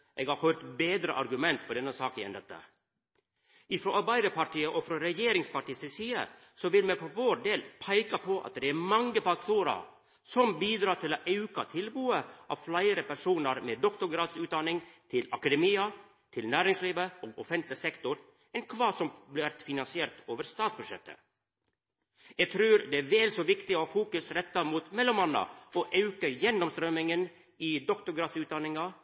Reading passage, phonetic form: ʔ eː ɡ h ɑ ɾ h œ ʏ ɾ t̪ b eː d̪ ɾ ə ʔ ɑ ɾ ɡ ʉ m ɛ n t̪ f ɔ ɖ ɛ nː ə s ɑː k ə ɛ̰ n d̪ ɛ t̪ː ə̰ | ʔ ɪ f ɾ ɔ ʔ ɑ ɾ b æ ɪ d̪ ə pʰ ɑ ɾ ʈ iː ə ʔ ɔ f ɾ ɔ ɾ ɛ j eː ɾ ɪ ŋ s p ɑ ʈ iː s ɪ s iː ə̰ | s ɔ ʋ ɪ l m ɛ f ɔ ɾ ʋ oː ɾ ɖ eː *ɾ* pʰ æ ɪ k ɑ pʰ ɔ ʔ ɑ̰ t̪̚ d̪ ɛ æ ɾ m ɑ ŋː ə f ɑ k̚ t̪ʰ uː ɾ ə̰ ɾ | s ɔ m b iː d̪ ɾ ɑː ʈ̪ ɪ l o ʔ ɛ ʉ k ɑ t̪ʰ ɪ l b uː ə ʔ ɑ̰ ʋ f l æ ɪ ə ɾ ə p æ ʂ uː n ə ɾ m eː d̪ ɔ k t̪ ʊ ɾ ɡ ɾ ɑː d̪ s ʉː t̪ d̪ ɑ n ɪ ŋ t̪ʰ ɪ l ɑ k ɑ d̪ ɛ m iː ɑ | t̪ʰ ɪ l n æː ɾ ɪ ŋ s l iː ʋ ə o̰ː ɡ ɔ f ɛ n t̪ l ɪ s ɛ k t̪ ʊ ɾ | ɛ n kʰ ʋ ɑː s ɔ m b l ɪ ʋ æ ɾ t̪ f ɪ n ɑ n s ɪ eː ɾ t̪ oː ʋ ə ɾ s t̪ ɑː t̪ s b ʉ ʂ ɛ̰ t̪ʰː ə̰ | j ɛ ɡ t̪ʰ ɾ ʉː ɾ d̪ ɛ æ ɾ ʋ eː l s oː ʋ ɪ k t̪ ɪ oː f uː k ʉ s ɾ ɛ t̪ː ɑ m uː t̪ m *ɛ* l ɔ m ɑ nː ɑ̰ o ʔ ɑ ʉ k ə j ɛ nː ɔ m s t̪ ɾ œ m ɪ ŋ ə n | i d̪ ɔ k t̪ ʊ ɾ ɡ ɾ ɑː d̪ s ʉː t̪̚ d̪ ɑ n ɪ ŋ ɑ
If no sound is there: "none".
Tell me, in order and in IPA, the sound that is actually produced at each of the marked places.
l, ɛ

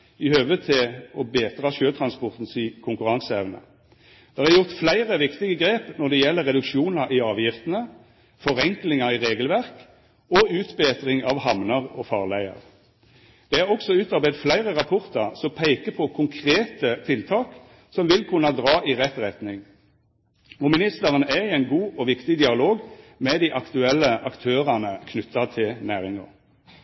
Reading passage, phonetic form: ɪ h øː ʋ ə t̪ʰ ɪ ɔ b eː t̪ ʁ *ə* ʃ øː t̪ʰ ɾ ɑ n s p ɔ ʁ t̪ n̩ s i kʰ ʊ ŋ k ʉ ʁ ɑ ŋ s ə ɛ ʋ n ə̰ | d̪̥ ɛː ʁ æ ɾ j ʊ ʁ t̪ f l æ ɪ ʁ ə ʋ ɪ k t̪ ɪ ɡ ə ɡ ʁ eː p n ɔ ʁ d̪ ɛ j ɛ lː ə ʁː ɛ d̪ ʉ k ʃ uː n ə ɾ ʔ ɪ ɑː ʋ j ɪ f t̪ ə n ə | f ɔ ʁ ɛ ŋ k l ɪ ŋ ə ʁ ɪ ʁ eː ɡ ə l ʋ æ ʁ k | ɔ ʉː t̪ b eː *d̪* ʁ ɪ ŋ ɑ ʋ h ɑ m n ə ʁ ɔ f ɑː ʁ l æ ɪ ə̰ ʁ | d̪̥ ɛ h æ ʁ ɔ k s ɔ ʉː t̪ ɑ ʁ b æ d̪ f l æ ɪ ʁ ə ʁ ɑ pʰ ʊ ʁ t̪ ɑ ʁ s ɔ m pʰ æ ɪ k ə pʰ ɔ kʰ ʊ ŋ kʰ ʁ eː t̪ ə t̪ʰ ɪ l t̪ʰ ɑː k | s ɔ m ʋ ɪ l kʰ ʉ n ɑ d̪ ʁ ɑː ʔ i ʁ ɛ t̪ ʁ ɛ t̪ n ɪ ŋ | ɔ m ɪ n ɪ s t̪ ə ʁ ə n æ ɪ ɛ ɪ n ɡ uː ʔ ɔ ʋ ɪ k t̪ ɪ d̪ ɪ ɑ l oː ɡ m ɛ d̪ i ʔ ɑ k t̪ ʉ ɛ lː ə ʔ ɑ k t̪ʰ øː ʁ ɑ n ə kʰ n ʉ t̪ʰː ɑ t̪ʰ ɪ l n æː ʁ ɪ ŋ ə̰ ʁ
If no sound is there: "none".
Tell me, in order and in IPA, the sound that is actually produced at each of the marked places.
ɑ, t̪

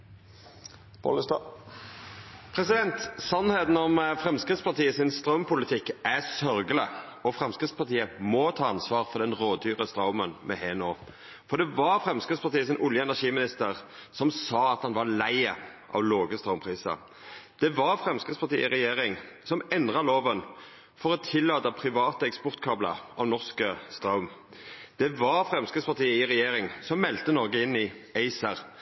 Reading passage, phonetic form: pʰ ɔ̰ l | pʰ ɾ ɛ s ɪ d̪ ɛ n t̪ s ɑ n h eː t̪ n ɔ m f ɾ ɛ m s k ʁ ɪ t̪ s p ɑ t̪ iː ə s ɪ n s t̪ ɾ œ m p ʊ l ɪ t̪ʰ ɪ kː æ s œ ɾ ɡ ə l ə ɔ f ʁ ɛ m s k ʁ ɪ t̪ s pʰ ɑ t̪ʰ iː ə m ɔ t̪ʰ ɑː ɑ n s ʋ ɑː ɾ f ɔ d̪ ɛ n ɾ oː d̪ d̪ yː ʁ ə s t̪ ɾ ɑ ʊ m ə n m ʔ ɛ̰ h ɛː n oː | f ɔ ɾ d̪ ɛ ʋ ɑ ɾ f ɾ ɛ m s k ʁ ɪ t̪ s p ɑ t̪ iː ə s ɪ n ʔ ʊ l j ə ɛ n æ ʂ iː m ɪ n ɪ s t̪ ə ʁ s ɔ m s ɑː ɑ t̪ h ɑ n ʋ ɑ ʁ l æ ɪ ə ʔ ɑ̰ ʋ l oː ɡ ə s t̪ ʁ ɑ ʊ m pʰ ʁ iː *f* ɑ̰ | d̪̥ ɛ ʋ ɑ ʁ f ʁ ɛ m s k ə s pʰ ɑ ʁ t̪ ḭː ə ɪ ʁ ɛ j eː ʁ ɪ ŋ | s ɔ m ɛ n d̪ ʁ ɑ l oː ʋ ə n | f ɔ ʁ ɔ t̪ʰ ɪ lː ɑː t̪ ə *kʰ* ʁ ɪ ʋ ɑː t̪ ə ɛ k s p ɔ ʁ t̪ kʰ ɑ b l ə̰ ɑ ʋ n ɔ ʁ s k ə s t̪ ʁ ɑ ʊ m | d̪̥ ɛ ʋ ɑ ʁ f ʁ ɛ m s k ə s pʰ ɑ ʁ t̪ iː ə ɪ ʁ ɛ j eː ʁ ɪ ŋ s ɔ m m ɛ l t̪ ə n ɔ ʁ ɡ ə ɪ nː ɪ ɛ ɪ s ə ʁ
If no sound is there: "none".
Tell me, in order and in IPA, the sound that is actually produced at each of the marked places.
s, pʰ

